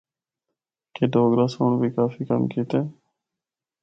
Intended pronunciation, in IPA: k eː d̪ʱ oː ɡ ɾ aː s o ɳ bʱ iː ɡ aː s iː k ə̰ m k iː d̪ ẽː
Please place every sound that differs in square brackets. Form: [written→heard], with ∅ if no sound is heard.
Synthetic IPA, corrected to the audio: k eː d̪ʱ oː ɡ ɾ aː s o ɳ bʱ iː [ɡ→k] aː [s→f] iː k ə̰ m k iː [d̪→t̪] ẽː